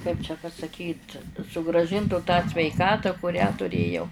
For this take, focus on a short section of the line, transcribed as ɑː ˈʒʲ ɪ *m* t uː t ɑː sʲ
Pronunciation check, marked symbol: incorrect: n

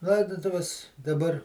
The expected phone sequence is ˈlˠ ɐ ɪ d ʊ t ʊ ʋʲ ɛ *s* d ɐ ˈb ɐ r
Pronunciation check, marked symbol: correct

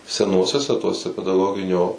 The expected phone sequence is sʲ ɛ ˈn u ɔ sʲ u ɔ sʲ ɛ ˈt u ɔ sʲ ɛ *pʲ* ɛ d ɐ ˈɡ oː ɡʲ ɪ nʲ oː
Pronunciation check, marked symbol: correct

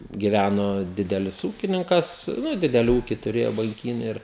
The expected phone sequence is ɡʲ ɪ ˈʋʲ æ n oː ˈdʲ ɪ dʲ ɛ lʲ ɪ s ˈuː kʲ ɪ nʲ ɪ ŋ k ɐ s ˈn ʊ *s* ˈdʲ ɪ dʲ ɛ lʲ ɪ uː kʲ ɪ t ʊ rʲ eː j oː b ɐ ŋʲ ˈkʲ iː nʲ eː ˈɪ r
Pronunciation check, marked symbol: incorrect: none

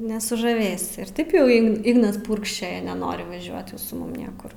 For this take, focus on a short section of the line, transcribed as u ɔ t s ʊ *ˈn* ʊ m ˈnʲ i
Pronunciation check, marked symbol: incorrect: m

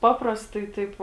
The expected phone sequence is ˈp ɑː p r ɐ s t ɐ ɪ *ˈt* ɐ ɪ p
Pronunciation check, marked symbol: correct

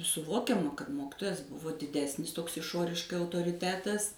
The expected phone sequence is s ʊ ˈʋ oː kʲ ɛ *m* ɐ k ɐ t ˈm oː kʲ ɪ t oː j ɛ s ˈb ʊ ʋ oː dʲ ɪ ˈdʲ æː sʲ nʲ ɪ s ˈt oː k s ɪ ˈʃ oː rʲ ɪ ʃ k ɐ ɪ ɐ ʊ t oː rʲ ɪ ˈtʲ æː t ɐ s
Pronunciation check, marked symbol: correct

